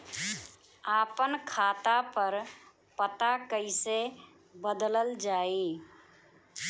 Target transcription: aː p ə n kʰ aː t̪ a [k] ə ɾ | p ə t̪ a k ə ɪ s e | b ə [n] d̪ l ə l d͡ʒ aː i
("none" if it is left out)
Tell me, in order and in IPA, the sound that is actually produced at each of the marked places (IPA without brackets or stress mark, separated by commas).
p, none